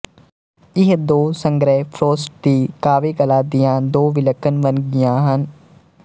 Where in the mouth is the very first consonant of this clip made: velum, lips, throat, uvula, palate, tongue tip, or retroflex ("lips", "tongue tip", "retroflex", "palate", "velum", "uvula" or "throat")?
throat